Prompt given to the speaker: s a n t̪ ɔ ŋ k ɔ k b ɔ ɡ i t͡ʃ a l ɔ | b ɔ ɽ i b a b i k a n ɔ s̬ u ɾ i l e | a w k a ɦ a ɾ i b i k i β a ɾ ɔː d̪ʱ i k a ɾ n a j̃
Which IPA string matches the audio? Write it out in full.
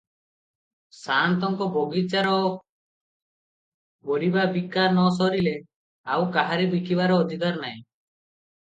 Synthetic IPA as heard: s a n t̪ ɔ ŋ k ɔ b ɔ ɡ i t͡ʃ a ɾ ɔ | b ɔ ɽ i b a b i k a n ɔ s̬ ɔ ɾ i l e | a w k a ɦ a ɾ i b i k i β a ɾ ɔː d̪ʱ i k a ɾ n a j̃